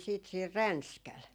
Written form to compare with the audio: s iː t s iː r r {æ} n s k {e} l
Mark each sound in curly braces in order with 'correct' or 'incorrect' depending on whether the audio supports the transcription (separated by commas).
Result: correct, incorrect